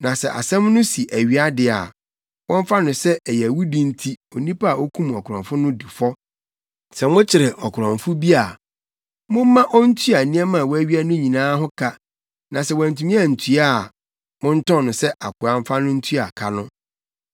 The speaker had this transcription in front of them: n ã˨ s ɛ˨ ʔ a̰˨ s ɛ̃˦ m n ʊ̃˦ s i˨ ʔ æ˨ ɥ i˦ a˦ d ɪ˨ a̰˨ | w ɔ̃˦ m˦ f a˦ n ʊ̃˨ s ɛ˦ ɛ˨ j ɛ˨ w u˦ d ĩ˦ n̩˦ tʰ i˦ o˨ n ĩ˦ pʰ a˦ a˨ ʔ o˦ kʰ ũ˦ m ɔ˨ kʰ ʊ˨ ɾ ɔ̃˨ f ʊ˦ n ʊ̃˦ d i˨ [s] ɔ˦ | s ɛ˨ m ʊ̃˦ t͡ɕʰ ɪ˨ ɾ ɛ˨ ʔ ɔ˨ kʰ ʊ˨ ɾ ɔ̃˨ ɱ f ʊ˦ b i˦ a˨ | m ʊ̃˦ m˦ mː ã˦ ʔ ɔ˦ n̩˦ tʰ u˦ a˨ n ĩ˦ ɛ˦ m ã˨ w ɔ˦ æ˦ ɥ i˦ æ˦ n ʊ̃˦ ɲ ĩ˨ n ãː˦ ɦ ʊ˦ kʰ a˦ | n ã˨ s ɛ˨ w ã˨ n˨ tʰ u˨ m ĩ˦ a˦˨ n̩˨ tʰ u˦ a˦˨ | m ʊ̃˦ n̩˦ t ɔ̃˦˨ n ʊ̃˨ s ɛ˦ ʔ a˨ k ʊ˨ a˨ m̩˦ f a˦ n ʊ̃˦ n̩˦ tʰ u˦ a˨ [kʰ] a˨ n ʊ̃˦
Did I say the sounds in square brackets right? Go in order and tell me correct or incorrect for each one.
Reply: incorrect: f, correct

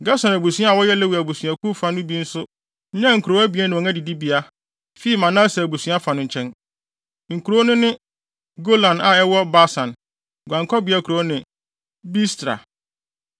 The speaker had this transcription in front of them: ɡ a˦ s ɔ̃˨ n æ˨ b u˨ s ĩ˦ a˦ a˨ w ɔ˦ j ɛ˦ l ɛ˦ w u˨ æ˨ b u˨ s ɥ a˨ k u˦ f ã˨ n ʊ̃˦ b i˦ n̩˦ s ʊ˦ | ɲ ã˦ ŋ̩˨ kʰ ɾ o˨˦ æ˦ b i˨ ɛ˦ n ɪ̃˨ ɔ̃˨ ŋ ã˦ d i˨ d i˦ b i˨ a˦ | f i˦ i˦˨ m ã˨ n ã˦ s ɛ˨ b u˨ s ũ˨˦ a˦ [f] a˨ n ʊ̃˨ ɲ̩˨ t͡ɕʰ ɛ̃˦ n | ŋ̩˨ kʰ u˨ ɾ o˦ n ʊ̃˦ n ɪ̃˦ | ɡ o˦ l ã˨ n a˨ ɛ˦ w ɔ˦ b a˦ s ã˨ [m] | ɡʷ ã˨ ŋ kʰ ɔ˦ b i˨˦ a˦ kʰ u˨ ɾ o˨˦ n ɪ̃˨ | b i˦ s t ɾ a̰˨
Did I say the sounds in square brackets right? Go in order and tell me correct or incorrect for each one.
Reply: correct, incorrect: n

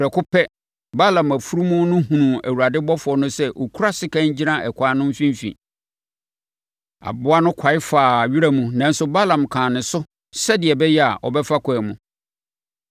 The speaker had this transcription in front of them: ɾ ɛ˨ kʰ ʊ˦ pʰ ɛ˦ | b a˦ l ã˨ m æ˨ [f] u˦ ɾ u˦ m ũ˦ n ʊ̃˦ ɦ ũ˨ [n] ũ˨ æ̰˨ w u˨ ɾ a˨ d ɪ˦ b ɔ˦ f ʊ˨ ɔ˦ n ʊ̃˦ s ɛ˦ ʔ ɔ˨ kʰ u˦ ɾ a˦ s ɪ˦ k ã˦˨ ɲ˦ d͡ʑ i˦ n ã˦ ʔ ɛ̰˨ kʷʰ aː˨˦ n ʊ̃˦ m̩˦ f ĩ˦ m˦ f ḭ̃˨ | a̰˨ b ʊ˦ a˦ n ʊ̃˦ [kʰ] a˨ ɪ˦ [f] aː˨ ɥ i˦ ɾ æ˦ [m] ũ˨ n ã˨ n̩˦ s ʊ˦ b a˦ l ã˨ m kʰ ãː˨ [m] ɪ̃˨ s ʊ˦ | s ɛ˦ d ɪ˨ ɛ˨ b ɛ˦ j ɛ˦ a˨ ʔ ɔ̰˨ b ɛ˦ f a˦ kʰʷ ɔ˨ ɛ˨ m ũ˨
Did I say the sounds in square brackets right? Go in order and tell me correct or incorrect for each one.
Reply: correct, correct, correct, correct, correct, incorrect: n

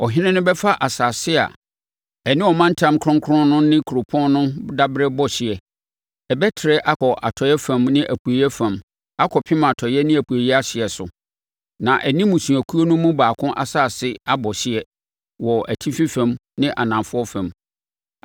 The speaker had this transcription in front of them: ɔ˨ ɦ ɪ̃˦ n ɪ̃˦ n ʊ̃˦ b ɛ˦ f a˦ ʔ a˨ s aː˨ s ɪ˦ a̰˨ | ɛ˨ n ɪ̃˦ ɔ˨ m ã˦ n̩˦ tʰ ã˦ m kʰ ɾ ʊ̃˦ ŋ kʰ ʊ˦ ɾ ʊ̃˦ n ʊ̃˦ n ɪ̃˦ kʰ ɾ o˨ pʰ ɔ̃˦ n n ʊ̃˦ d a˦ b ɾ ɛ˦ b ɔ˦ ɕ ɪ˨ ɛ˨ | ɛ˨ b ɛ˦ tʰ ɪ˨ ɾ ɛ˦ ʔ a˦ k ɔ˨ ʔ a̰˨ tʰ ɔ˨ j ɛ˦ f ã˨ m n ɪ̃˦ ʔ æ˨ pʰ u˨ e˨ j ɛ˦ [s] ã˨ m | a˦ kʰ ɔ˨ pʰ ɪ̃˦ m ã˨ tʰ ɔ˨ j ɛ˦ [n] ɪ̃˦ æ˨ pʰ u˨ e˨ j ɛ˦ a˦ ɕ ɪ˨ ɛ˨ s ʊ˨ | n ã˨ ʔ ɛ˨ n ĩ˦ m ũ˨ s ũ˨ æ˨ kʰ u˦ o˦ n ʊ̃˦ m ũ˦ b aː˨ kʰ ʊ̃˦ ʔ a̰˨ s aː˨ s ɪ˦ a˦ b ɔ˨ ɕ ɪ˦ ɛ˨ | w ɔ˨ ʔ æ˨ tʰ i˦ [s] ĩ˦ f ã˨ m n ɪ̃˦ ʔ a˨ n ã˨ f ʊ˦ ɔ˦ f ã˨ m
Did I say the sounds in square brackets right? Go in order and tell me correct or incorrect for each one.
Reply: incorrect: f, correct, incorrect: f

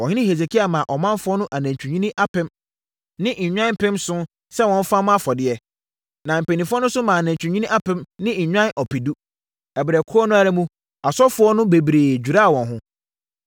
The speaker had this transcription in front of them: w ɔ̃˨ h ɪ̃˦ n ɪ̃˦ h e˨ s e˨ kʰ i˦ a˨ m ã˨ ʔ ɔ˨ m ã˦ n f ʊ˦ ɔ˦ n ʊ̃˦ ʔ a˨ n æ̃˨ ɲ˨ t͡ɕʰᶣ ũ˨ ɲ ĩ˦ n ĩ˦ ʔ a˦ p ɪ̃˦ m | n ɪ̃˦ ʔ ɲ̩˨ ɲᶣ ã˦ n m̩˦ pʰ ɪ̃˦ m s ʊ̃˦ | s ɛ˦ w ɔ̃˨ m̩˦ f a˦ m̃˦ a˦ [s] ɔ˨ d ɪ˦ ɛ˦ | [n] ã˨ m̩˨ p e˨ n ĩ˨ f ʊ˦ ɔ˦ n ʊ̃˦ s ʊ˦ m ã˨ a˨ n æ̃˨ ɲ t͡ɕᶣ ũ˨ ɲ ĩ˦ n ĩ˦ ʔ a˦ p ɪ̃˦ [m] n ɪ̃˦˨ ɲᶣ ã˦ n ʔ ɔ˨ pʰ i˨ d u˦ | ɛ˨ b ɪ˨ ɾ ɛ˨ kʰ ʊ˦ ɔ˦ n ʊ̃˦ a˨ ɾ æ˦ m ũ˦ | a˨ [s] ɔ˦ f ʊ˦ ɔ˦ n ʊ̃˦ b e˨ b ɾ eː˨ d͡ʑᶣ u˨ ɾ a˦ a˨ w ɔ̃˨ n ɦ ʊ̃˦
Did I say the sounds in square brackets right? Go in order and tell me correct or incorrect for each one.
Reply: incorrect: f, correct, correct, correct

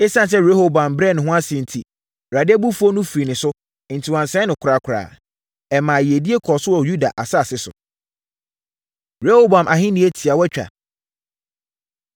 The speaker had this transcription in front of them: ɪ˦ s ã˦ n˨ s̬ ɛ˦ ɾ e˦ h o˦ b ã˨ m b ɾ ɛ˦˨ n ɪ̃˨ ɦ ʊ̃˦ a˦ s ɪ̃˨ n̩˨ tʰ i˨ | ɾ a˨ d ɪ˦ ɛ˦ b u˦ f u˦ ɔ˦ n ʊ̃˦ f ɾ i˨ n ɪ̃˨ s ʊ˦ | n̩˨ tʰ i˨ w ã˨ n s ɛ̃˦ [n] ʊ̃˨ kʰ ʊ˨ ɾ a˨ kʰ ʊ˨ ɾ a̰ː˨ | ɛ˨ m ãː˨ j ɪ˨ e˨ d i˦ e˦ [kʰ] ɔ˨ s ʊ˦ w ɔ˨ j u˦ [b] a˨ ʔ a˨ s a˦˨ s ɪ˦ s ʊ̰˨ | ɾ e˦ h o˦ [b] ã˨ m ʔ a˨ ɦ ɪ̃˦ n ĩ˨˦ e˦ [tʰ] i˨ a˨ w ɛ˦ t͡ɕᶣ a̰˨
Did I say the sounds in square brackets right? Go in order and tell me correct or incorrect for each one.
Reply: correct, correct, incorrect: d, correct, correct

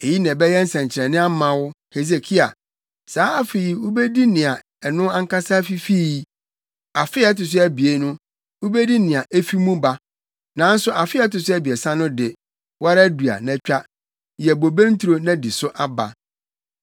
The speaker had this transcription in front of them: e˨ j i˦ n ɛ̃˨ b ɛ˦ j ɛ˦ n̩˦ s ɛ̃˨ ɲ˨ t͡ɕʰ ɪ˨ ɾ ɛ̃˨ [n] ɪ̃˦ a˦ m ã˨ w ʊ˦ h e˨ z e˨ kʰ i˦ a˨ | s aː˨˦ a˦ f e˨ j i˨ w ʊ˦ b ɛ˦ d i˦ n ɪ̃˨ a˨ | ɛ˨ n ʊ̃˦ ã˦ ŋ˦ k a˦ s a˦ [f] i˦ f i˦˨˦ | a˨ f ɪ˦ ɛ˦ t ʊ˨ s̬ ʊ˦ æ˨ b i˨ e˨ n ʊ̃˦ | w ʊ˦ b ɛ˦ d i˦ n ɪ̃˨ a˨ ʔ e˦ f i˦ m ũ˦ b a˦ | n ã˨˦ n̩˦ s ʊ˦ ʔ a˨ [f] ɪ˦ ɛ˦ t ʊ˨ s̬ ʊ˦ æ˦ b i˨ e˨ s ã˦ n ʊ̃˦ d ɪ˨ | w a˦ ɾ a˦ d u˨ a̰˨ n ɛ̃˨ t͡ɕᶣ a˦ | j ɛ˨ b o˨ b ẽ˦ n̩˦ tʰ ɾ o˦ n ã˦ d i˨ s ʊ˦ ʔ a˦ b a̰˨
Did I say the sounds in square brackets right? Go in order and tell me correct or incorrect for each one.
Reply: correct, correct, correct

